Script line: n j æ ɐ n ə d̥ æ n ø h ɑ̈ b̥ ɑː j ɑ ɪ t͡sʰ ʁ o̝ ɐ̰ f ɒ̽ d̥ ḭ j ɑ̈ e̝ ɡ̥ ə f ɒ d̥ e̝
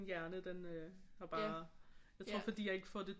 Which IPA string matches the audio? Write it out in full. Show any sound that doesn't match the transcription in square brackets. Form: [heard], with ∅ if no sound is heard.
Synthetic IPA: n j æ ɐ n ə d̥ [e] n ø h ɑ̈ b̥ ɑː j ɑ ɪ t͡sʰ ʁ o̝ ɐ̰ f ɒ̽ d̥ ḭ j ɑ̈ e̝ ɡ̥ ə f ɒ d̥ e̝